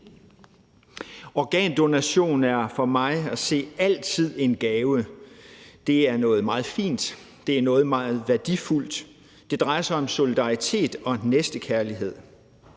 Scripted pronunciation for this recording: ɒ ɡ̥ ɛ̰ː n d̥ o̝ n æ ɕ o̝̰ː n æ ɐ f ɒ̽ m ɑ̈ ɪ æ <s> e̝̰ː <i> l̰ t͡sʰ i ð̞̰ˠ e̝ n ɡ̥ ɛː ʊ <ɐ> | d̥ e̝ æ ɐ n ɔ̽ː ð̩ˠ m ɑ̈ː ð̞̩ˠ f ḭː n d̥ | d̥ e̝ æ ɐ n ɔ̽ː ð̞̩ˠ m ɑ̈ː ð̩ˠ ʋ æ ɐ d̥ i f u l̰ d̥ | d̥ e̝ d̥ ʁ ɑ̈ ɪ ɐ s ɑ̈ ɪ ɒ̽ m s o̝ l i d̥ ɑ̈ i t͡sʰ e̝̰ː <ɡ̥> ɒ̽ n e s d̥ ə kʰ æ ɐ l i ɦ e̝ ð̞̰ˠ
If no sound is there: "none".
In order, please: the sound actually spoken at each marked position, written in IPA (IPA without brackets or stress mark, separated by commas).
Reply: s, æ, ə, d̥